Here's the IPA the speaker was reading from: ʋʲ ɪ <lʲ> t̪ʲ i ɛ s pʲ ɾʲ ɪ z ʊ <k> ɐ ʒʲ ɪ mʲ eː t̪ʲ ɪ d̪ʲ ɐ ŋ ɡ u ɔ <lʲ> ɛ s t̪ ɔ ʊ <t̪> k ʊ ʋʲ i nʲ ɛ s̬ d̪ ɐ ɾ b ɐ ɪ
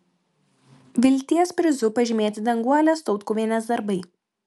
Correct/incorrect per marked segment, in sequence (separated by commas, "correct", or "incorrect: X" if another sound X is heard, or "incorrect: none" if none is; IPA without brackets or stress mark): correct, incorrect: p, correct, correct